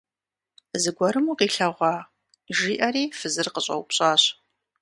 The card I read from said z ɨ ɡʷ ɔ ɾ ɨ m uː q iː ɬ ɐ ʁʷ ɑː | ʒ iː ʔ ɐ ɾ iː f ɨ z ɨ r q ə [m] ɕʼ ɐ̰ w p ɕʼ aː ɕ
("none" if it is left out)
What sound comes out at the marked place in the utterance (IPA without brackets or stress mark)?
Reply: none